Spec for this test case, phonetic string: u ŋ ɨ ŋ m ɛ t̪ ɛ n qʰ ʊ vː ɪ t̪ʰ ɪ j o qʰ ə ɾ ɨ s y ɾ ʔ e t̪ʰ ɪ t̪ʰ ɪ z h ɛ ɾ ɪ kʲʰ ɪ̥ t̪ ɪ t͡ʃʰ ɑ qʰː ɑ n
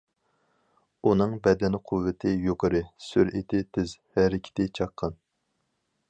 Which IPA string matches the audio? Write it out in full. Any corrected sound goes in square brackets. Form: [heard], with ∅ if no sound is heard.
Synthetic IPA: u [n] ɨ ŋ [b] ɛ [d̪] ɛ n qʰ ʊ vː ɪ t̪ʰ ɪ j o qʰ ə ɾ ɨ s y ɾ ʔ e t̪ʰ ɪ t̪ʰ ɪ z h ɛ ɾ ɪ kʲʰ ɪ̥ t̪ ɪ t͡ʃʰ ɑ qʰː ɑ n

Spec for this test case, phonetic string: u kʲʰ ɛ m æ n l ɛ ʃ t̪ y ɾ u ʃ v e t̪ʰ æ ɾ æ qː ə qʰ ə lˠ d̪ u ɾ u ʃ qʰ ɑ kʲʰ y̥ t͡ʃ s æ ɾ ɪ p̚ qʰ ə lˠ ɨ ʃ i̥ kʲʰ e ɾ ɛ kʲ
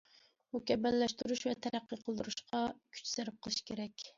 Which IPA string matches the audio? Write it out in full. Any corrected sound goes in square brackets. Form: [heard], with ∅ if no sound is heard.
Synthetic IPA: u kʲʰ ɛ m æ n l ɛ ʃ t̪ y ɾ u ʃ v [ɛ] t̪ʰ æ ɾ æ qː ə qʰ ə lˠ d̪ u ɾ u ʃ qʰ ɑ kʲʰ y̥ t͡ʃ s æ ɾ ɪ p̚ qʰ ə lˠ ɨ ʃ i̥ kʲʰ e ɾ ɛ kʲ

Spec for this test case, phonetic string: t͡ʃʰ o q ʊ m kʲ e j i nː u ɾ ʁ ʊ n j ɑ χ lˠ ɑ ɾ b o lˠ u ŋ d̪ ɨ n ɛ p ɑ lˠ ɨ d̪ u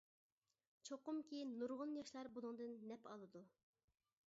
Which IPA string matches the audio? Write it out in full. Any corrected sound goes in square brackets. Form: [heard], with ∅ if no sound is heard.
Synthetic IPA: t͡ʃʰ o q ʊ m kʲ e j i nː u ɾ ʁ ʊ n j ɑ [ʃ] lˠ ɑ ɾ b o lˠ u ŋ d̪ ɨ [nː] ɛ p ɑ lˠ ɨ d̪ u

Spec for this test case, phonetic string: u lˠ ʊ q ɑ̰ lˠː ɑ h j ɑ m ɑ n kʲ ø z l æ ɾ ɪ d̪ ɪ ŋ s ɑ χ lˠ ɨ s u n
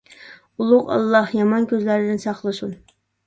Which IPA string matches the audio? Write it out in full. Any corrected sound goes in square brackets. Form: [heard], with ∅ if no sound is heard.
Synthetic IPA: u lˠ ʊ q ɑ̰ lˠː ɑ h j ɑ m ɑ n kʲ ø z l æ ɾ ɪ d̪ ɪ [n] s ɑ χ lˠ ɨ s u n

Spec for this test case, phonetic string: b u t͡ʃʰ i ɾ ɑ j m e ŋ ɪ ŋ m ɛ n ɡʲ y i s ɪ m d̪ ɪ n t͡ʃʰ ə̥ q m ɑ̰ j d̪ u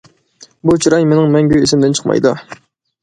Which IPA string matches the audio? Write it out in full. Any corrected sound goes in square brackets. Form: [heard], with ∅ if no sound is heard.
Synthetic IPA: b u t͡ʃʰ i ɾ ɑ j m e [n] ɪ ŋ m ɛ [ŋ] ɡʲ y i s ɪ m d̪ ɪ n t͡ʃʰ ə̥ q m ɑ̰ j d̪ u

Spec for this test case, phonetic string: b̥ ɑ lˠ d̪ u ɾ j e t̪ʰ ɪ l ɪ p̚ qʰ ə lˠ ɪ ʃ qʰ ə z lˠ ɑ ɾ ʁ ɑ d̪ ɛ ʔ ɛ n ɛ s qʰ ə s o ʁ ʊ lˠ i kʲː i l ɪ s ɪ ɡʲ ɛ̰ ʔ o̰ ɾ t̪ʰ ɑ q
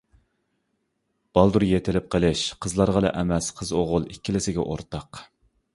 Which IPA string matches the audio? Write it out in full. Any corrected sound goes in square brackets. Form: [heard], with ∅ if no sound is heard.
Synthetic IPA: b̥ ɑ lˠ d̪ u ɾ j e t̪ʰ ɪ l ɪ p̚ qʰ ə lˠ ɪ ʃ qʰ ə z lˠ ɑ ɾ ʁ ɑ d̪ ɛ ʔ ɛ [m] ɛ s qʰ ə [z] o ʁ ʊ lˠ i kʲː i l ɪ s ɪ ɡʲ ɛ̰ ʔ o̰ ɾ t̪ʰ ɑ q

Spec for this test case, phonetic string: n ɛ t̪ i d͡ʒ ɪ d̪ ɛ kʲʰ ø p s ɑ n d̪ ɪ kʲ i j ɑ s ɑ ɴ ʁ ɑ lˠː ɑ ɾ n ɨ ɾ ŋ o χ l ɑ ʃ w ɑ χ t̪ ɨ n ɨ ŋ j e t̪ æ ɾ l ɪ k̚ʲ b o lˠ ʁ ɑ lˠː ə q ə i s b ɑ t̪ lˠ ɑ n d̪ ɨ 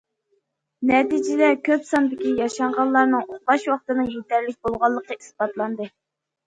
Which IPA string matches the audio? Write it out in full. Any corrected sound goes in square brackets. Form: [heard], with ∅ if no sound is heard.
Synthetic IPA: n ɛ t̪ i d͡ʒ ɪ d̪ ɛ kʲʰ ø p s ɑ n d̪ ɪ kʲ i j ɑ [ʃ] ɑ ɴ ʁ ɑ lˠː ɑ ɾ n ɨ [∅] ŋ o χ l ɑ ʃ w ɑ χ t̪ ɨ n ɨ ŋ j e t̪ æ ɾ l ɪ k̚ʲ b o lˠ ʁ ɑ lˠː ə q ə i s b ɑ t̪ lˠ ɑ n d̪ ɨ

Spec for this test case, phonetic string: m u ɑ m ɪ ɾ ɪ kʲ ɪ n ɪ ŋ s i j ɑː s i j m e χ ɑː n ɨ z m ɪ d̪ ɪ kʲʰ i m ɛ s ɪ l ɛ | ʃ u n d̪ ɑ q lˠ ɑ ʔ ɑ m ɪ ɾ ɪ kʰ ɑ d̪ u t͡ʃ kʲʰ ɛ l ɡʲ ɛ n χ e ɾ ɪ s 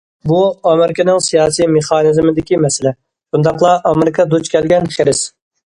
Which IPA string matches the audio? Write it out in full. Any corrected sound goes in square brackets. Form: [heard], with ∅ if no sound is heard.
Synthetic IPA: [b] u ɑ m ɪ ɾ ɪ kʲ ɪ n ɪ ŋ s i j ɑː s i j m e χ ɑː n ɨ z m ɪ d̪ ɪ [kʲ] i m ɛ s ɪ l ɛ | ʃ u n d̪ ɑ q lˠ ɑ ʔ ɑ m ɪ ɾ ɪ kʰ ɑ d̪ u t͡ʃ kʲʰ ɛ l ɡʲ ɛ n χ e ɾ ɪ s

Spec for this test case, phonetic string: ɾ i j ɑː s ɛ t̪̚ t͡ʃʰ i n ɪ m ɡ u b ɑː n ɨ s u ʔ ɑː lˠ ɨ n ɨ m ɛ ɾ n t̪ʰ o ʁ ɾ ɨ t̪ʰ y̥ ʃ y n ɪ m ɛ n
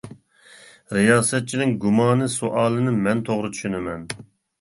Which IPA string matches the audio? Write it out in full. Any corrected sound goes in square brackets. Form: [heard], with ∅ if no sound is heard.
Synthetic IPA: ɾ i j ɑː s ɛ t̪̚ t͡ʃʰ i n ɪ [ŋ] ɡ u [m] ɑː n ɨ s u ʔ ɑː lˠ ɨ n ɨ m ɛ [∅] n t̪ʰ o ʁ ɾ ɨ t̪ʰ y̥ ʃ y n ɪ m ɛ n

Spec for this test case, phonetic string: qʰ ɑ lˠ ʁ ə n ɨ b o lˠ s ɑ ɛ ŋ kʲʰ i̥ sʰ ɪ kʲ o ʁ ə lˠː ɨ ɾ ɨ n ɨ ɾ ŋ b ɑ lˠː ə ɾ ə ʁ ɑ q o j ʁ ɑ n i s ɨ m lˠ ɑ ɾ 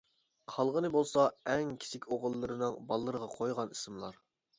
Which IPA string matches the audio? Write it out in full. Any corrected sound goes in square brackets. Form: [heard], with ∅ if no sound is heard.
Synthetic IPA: qʰ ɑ lˠ ʁ ə n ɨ b o lˠ s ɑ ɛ ŋ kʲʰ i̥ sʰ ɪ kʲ o ʁ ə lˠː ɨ ɾ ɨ n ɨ [∅] ŋ b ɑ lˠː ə ɾ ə ʁ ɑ [qʰ] o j ʁ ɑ n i s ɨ m lˠ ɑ ɾ

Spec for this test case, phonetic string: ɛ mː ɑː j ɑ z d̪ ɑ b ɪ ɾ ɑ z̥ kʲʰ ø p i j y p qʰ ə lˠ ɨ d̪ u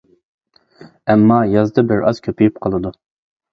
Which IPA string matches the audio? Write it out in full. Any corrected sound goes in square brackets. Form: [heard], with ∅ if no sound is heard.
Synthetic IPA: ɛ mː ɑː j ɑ z d̪ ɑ b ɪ ɾ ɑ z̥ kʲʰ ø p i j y p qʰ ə lˠ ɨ d̪ u

